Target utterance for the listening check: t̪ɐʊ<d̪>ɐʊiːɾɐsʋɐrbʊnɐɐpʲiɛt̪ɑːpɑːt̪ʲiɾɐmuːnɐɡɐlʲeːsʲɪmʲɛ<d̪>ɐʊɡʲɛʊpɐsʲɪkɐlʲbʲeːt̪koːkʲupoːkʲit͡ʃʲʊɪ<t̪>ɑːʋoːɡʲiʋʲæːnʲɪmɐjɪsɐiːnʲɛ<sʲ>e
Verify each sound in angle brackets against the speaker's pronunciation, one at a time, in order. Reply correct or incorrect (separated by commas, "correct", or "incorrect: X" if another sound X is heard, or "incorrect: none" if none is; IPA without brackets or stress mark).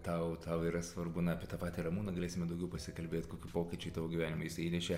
incorrect: t̪, correct, correct, incorrect: ʃʲ